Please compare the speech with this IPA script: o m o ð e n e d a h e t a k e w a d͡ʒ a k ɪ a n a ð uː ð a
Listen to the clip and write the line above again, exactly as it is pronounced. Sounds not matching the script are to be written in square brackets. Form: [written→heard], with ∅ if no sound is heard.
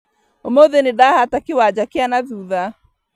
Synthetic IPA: o m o ð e n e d a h [e→a] t a k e w a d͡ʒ a k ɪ a n a ð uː ð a